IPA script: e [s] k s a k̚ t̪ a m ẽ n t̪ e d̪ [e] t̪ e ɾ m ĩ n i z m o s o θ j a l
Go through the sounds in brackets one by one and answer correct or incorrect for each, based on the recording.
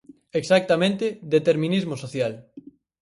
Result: incorrect: none, correct

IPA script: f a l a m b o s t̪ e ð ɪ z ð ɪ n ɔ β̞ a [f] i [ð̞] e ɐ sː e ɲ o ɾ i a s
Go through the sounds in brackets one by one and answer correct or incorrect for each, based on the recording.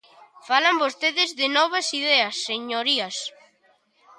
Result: incorrect: s, correct

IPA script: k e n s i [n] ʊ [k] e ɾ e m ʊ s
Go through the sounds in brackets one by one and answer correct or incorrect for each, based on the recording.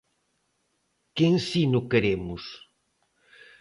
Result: correct, correct

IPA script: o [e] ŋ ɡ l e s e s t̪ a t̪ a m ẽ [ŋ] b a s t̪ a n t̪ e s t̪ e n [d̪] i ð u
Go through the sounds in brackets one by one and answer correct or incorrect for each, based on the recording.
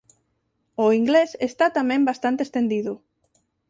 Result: incorrect: i, incorrect: m, correct

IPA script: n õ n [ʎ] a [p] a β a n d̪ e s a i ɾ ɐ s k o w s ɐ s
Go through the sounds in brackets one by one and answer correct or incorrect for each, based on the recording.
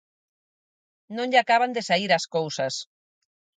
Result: correct, incorrect: k

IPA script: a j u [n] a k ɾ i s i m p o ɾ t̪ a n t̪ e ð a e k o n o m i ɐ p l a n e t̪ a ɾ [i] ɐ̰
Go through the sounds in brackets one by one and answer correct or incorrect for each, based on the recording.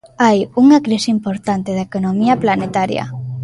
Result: incorrect: ŋ, incorrect: j

